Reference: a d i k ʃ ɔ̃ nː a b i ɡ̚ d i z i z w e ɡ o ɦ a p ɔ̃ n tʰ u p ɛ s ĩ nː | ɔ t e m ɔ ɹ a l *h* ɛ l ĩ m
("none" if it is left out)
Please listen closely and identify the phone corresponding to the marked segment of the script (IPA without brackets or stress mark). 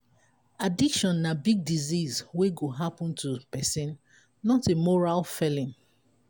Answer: f